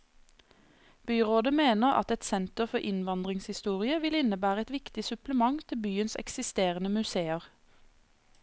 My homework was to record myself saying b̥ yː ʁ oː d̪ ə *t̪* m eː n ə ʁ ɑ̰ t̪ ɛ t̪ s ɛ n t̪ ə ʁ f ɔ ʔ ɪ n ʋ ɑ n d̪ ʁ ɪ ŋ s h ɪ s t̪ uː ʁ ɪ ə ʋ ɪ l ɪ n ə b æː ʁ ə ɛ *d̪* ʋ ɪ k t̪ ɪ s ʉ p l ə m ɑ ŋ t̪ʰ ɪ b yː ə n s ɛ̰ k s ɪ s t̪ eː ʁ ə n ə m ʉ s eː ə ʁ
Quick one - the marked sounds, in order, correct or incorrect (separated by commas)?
incorrect, incorrect